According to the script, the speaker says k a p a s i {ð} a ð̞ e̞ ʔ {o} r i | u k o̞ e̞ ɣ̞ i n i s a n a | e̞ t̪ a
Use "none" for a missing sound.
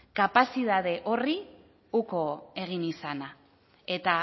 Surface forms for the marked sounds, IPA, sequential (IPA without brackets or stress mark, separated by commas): ð, o